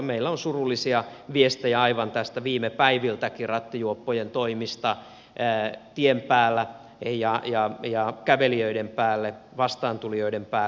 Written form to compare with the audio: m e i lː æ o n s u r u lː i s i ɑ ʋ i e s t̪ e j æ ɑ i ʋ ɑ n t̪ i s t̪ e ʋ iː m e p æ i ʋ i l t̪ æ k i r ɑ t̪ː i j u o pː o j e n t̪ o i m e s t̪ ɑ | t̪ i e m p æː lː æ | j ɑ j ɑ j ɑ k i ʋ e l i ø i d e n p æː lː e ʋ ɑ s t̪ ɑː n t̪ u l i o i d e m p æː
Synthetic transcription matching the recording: m e i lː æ o n s u r u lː i s i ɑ ʋ i e s t̪ e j æ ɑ i ʋ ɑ n t̪ æ s t̪ æ ʋ iː m e p æ i ʋ i l t̪ æ k i r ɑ t̪ː i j u o pː o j e n t̪ o i m i s t̪ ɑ | t̪ i e m p æː lː æ | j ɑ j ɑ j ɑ k æ ʋ e l i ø i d e m p æː lː e ʋ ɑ s t̪ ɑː n t̪ u l i o i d e m p æː